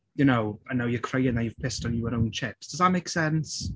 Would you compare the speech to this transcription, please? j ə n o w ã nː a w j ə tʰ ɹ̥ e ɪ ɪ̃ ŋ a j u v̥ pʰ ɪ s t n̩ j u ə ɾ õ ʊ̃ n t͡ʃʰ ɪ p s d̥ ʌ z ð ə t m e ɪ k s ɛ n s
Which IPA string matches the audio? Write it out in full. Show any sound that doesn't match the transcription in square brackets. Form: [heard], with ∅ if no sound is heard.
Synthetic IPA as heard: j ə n o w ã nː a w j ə [kʰ] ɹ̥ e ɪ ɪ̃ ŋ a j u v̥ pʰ ɪ s t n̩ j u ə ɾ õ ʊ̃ n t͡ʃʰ ɪ p s d̥ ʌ z ð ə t m e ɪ k s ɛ n s